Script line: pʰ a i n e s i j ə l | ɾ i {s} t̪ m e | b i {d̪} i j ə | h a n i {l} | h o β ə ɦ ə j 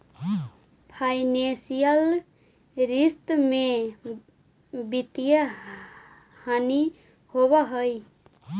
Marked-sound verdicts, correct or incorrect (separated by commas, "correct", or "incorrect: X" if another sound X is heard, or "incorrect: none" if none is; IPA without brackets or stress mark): correct, incorrect: t̪, incorrect: none